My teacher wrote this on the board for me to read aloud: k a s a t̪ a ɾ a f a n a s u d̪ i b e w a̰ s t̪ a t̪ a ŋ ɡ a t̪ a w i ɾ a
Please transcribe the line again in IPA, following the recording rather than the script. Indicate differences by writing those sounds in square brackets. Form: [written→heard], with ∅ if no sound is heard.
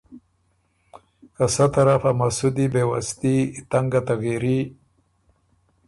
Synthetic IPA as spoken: k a s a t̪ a ɾ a f a [n→m] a s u d̪ i b e w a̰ s t̪ [a→i] t̪ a ŋ ɡ a t̪ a [w→ɣ] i ɾ [a→i]